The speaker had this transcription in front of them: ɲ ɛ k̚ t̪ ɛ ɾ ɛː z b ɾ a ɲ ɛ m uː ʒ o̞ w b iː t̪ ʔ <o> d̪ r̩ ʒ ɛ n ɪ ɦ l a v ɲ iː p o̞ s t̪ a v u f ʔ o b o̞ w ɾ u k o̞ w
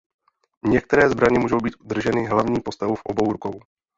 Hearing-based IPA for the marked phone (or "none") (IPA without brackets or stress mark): u